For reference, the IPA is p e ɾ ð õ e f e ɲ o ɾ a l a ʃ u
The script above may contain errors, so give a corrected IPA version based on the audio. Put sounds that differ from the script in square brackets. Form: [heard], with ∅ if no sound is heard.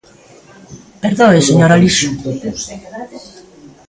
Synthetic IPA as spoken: p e ɾ ð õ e [s] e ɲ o ɾ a l [i] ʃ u